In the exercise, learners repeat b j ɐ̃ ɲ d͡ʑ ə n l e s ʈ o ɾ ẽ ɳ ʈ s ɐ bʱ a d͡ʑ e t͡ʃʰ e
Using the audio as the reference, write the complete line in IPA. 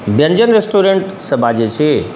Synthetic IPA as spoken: b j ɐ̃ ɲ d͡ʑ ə n ɾ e s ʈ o ɾ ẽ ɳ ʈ s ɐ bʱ a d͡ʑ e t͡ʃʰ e